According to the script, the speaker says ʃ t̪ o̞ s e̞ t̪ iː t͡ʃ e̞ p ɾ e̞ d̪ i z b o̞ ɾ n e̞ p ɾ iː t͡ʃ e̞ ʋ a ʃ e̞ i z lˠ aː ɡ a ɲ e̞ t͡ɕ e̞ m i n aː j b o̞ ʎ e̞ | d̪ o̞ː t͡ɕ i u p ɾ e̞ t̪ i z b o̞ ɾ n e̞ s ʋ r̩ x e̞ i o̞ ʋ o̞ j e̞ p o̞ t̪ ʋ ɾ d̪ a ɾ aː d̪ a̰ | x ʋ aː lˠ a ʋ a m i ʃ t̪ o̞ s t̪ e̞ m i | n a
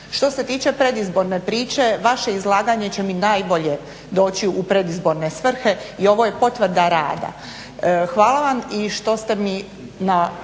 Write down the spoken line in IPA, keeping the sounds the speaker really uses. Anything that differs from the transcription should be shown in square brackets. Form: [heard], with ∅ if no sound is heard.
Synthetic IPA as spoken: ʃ t̪ o̞ s e̞ t̪ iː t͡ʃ e̞ p ɾ e̞ d̪ i z b o̞ ɾ n e̞ p ɾ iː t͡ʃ e̞ ʋ a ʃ e̞ i z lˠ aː ɡ a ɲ e̞ t͡ɕ e̞ m i n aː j b o̞ ʎ e̞ | d̪ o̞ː t͡ɕ i u p ɾ e̞ [d̪] i z b o̞ ɾ n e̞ s ʋ r̩ x e̞ i o̞ ʋ o̞ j e̞ p o̞ t̪ ʋ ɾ d̪ a ɾ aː d̪ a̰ | x ʋ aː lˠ a ʋ a m i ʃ t̪ o̞ s t̪ e̞ m i | n a